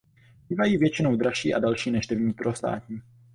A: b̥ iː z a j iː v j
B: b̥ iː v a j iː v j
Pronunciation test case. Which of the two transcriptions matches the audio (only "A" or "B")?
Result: B